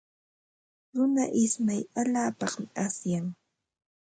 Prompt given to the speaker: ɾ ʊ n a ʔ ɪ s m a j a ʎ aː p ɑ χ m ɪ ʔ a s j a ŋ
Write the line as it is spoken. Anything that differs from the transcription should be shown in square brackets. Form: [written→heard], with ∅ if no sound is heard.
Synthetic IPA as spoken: ɾ ʊ n a ʔ ɪ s m a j a ʎ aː p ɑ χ m ɪ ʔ a s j a ŋ